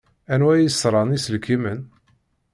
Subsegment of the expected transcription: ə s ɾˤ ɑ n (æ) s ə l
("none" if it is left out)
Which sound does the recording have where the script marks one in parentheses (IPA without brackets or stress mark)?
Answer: i